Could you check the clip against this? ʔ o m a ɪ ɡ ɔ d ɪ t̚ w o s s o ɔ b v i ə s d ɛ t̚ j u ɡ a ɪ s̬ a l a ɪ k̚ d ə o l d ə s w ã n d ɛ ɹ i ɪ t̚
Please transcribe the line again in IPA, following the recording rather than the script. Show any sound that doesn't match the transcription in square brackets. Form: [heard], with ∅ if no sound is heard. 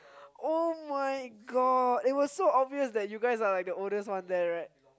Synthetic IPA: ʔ o m a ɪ ɡ ɔ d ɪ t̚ w [ɔ] s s o ɔ b v i ə s d ɛ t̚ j u ɡ a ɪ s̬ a l a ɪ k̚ d ə o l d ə s w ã n d ɛ ɹ [a] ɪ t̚